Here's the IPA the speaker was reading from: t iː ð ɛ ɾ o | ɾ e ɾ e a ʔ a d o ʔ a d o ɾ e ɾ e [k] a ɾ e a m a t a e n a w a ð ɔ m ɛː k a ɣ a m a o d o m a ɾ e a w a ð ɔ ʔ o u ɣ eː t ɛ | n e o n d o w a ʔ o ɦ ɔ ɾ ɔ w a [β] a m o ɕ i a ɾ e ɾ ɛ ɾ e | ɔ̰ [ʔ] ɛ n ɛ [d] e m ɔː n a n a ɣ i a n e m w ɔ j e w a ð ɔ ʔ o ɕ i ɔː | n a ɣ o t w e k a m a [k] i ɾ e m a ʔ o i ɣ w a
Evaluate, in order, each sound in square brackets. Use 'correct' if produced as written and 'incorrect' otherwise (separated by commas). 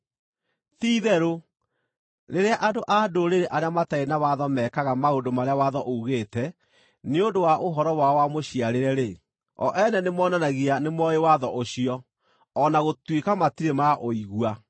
incorrect, incorrect, correct, incorrect, incorrect